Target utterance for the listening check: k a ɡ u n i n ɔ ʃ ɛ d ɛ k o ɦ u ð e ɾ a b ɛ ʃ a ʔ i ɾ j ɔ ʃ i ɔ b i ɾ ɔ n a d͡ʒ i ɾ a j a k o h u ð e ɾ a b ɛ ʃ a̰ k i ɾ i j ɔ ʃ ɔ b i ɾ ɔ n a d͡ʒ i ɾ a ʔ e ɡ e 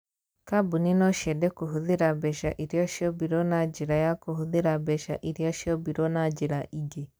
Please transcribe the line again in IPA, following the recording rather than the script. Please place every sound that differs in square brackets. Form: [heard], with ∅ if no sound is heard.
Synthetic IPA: k a [b] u n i n ɔ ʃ ɛ d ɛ k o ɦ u ð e ɾ a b ɛ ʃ a ʔ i ɾ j ɔ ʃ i ɔ b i ɾ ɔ n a d͡ʒ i ɾ a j a k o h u ð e ɾ a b ɛ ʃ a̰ [ʔ] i ɾ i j ɔ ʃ ɔ b i ɾ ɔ n a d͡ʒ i ɾ a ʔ [i] ɡ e

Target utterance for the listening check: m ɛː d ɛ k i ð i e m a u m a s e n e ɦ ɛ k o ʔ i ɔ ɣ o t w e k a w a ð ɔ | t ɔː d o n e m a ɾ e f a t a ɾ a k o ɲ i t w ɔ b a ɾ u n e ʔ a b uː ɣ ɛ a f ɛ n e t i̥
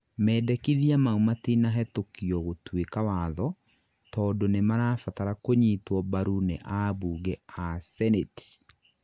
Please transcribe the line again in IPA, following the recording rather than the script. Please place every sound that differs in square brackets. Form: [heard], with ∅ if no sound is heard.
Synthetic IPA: m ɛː d ɛ k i ð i [a] m a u m a [t] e n [a] ɦ ɛ [t] o [k] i ɔ ɣ o t w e k a w a ð ɔ | t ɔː d o n e m a ɾ [a] f a t a ɾ a k o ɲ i t w ɔ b a ɾ u n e ʔ a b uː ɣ ɛ a [s] ɛ n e t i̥

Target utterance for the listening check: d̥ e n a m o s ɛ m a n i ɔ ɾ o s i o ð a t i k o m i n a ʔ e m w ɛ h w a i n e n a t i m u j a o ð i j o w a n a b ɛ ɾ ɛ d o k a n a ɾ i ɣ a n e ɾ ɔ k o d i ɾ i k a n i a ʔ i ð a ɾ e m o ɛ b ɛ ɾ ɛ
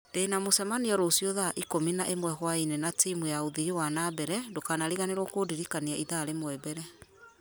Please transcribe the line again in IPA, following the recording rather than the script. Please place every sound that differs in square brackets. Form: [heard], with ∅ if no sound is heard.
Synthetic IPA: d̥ e n a m o s ɛ m a n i ɔ ɾ o s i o ð a [ʔ] i k o m i n a ʔ e m w ɛ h w a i n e n a t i m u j a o ð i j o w a n a b ɛ ɾ ɛ d o k a n a ɾ i ɣ a n e ɾ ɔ k o d i ɾ i k a n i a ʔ i ð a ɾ e m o ɛ b ɛ ɾ ɛ

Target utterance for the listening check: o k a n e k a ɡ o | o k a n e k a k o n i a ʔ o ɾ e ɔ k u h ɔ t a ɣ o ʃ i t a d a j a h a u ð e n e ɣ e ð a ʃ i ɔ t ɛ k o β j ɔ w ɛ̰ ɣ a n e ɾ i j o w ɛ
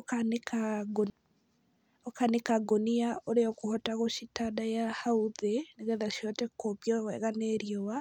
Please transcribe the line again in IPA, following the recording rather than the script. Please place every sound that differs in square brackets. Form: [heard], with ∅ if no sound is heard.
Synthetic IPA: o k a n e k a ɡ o | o k a n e k a [ɡ] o n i a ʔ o ɾ e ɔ k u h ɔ t a ɣ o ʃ i t a d a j a h a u ð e n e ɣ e ð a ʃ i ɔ t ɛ k o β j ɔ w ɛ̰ ɣ a n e ɾ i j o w [a]

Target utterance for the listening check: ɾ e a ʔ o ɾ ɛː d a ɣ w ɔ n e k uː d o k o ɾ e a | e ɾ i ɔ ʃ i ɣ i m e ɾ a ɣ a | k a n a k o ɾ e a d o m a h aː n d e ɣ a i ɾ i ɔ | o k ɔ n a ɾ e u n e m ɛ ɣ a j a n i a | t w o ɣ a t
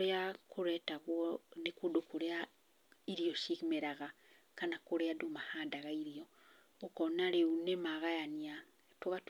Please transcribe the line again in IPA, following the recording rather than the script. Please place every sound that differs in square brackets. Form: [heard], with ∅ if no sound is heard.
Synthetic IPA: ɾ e a [k] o ɾ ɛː [t] a ɣ w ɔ n e k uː d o k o ɾ e a | [i] ɾ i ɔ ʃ i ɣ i m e ɾ a ɣ a | k a n a k o ɾ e a d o m a h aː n d [a] ɣ a i ɾ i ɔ | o k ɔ n a ɾ e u n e m [a] ɣ a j a n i a | t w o ɣ a t

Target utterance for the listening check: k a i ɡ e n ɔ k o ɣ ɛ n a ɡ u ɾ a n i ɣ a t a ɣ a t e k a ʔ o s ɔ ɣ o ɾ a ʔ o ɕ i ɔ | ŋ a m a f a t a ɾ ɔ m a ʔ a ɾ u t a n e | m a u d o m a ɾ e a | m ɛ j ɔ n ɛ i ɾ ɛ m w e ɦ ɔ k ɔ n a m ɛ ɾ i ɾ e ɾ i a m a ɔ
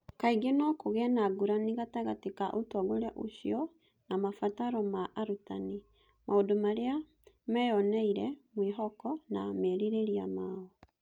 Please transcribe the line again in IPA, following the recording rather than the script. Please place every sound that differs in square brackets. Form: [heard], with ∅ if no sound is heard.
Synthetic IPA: k a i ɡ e n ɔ k o ɣ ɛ n a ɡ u ɾ a n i ɣ a t a ɣ a t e k a ʔ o [t] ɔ ɣ o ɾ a ʔ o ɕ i ɔ | [n] a m a f a t a ɾ ɔ m a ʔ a ɾ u t a n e | m a [o] d o m a ɾ e a | m ɛ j ɔ n ɛ i ɾ ɛ m w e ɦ ɔ k ɔ n a m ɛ ɾ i ɾ e ɾ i a m a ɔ

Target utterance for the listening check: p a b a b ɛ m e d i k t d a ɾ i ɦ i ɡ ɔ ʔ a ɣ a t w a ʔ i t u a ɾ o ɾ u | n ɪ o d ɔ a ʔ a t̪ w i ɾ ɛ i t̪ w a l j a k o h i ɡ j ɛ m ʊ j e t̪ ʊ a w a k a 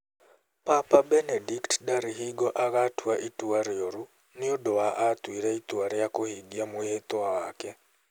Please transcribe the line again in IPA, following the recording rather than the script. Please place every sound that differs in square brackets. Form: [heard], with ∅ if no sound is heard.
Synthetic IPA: p a [p] a b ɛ [n] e d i k t d a ɾ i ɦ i ɡ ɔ ʔ a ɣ a t w a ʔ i t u a ɾ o ɾ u | n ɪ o d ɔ a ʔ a t̪ w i ɾ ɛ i t̪ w a [ɾ] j a k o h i ɡ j [a] m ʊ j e t̪ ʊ a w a k [ɛ]

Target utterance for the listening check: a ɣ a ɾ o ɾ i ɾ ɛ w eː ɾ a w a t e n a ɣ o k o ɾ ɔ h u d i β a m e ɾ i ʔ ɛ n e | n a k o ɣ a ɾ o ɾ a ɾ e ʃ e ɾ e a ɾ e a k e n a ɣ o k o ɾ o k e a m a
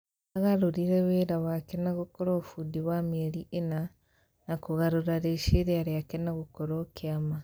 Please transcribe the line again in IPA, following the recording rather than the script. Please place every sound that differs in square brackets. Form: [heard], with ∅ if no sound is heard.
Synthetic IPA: a ɣ a ɾ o ɾ i ɾ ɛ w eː ɾ a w a [k] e n a ɣ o k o ɾ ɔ [f] u d i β a m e ɾ i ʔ [e] n [a] | n a k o ɣ a ɾ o ɾ a ɾ e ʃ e ɾ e a ɾ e a k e n a ɣ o k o ɾ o k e a m a

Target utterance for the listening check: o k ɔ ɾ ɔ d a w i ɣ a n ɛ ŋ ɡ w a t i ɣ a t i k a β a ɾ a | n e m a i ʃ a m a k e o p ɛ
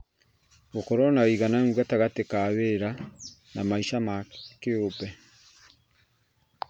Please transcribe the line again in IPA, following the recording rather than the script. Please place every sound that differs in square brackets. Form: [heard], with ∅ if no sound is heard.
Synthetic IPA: o k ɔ ɾ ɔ [n] a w i ɣ a n [a] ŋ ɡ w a t [a] ɣ a t [e] k a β [e] ɾ a | n [a] m a i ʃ a m a k e o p ɛ

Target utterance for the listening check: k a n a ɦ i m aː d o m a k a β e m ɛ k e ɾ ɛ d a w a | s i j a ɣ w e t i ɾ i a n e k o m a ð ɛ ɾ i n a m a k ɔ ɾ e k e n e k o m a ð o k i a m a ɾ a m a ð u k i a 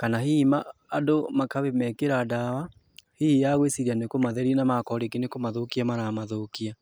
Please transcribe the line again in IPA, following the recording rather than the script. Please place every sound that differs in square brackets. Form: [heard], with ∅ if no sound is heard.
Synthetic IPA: k a n a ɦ i m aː d o m a k a β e m ɛ k e ɾ [a] d a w a | [h] i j a ɣ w e [s] i ɾ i a n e k o m a ð ɛ ɾ i n a m a k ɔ ɾ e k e n e k o m a ð o k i a m a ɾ a m a ð [o] k i a

